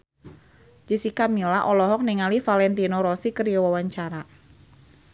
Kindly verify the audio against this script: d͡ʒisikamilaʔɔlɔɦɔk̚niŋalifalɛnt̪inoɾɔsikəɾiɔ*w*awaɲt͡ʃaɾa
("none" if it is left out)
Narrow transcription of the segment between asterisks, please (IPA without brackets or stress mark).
w